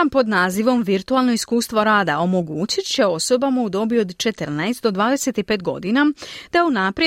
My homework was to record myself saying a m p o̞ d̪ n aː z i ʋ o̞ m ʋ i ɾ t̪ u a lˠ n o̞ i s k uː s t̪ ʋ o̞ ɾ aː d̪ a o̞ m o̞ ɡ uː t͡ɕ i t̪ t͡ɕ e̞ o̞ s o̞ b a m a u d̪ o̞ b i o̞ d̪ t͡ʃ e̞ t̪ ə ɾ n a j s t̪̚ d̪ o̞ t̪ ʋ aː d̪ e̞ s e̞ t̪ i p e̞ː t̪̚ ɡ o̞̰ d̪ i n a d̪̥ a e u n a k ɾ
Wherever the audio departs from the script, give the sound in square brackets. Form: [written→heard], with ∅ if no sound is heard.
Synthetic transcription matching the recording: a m p o̞ d̪ n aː z i ʋ o̞ m ʋ i ɾ t̪ u a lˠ n o̞ i s k uː s t̪ ʋ o̞ ɾ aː d̪ a o̞ m o̞ ɡ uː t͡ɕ i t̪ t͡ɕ e̞ o̞ s o̞ b a m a u d̪ o̞ b i o̞ d̪ t͡ʃ e̞ t̪ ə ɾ n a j s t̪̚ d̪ o̞ [t̪→d̪] ʋ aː d̪ e̞ s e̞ t̪ i p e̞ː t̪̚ ɡ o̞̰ d̪ i n a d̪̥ a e u n a [k→p] ɾ